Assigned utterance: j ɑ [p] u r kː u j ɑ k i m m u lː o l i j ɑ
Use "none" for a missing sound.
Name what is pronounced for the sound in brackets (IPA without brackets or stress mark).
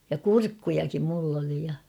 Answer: k